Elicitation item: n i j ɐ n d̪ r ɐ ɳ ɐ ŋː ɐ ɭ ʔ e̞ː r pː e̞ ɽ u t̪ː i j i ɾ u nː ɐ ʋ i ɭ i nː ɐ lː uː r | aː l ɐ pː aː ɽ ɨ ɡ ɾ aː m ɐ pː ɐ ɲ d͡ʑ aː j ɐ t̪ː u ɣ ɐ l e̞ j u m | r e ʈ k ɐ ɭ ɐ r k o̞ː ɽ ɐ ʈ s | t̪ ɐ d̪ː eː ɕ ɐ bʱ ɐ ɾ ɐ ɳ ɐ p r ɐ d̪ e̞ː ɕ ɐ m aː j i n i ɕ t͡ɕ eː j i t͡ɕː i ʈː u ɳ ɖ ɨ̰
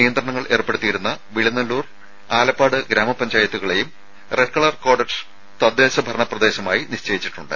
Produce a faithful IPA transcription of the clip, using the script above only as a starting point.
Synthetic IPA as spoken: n i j ɐ n d̪ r ɐ ɳ ɐ ŋː ɐ ɭ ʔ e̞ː r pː e̞ ɽ u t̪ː i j i ɾ u nː ɐ ʋ i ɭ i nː ɐ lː uː r | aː l ɐ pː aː ɽ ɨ ɡ ɾ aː m ɐ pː ɐ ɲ d͡ʑ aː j ɐ t̪ː u ɣ ɐ ɭ e̞ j u m | r e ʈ k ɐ ɭ ɐ r k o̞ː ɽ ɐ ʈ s | t̪ ɐ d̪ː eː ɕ ɐ bʱ ɐ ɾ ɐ ɳ ɐ p r ɐ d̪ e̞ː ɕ ɐ m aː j i n i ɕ t͡ɕ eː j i t͡ɕː i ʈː u ɳ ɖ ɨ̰